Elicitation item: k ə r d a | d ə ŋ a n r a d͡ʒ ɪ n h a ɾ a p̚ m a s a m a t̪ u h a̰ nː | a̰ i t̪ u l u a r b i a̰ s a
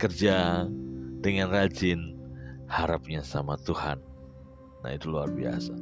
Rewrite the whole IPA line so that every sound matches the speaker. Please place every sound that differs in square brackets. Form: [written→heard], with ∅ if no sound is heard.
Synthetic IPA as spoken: k ə r [d→d͡ʒ] a | d ə ŋ a n r a d͡ʒ ɪ n h a ɾ a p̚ [m→ɲ] a s a m a t̪ u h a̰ nː | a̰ i t̪ u l u a r b i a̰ s a